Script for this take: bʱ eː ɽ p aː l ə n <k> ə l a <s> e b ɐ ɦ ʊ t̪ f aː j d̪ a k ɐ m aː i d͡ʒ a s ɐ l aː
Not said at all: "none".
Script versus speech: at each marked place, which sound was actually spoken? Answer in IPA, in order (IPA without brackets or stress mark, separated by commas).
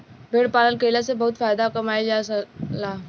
k, s